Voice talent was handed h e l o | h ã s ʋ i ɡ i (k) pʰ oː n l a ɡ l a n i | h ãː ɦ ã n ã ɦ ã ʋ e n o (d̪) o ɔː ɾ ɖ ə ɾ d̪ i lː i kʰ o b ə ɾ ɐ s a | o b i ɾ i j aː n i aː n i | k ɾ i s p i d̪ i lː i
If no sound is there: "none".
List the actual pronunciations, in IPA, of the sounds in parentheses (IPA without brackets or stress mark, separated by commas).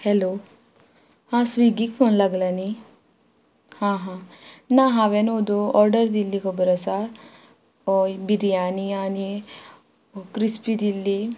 k, d̪